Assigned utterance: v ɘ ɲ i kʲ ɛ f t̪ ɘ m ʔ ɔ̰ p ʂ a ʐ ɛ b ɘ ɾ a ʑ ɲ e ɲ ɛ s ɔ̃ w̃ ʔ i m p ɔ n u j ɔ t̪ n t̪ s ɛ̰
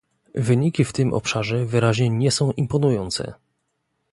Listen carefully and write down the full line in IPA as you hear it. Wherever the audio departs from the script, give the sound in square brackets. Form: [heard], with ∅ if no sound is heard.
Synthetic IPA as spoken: v ɘ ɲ i kʲ [i] f t̪ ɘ m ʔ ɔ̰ p ʂ a ʐ ɛ [v] ɘ ɾ a ʑ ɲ [ɛ] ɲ ɛ s ɔ̃ w̃ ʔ i m p ɔ n u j ɔ [∅] n t̪ s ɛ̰